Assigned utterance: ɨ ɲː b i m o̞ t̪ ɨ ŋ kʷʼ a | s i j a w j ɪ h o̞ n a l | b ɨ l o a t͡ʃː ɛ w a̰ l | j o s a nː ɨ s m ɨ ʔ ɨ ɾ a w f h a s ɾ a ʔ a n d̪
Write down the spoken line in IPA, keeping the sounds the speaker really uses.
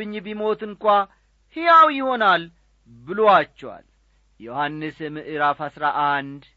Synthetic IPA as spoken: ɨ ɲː b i m o̞ t̪ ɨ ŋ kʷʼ a | h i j a w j ɪ h o̞ n a l | b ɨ l o a t͡ʃː ɛ w a̰ l | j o h a nː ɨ s m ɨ ʔ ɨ ɾ a f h a s ɾ a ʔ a n d̪